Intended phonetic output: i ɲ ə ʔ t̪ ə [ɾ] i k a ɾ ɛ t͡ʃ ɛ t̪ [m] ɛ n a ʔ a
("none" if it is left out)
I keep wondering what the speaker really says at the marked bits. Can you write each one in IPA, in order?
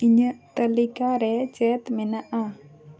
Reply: l, m

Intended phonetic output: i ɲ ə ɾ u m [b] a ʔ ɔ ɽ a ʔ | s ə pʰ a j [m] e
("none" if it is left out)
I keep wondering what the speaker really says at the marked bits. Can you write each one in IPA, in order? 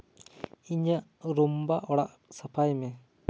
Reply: b, m

